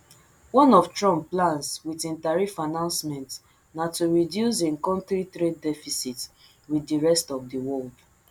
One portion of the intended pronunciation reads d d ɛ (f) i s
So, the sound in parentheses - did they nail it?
yes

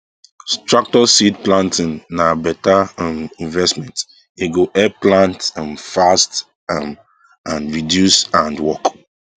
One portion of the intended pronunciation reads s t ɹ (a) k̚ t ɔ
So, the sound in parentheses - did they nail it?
yes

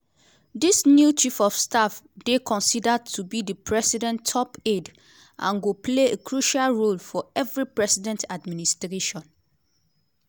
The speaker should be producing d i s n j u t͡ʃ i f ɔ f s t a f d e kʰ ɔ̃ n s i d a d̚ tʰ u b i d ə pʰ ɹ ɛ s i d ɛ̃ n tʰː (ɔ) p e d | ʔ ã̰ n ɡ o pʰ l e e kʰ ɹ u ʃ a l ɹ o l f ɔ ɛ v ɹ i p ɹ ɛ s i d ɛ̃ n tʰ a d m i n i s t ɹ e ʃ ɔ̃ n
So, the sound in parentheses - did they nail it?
yes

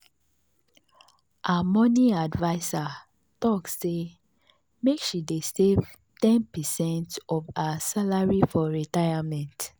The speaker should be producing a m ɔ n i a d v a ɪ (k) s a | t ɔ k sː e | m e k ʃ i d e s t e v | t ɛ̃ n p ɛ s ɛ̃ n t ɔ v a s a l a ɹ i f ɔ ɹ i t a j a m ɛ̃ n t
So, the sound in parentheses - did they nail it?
no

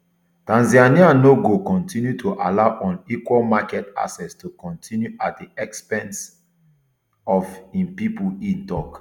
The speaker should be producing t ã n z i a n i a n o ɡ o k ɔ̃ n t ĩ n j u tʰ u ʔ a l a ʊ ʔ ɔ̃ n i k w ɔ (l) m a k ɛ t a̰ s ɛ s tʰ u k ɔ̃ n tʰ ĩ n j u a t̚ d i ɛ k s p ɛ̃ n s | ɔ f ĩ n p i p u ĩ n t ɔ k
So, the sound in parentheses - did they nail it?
yes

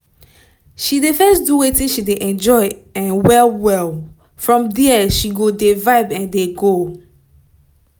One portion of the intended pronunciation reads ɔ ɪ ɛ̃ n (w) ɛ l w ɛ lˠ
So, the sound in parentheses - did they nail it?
yes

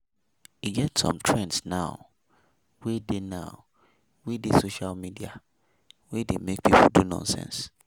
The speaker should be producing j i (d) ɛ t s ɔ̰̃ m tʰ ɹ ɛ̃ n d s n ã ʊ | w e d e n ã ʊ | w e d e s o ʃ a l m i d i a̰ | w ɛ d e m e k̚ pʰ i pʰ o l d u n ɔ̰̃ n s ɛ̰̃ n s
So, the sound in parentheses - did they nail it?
no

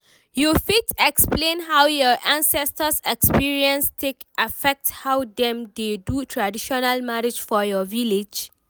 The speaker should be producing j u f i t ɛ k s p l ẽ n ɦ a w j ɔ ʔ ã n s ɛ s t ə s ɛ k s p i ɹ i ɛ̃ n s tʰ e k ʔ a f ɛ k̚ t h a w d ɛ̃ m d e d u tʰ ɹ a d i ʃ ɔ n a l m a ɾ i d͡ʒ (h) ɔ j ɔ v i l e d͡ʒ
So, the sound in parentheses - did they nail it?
no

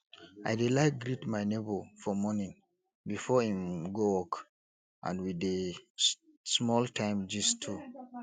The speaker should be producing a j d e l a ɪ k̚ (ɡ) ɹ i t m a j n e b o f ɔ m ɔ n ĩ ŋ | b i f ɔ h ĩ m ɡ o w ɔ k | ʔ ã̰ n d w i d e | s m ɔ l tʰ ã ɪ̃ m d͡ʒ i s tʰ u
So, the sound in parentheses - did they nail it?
yes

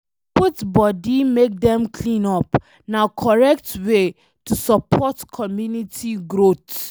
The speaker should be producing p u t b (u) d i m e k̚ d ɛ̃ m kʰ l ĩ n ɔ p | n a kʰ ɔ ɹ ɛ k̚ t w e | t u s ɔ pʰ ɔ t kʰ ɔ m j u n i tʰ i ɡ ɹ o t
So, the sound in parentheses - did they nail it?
no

